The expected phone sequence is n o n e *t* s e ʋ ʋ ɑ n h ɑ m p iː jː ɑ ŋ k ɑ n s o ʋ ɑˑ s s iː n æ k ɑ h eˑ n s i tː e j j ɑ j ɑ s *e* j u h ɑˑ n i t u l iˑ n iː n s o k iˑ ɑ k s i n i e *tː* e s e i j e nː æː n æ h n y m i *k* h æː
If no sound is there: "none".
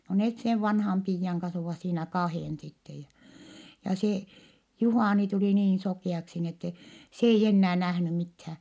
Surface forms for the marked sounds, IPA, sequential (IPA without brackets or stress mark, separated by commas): t, e, tː, t